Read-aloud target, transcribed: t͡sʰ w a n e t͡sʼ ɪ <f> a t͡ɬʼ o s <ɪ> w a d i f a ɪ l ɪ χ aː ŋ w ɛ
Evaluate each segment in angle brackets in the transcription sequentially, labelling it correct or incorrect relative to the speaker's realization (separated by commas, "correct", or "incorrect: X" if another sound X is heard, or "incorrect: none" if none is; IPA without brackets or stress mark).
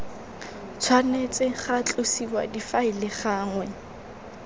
incorrect: χ, incorrect: i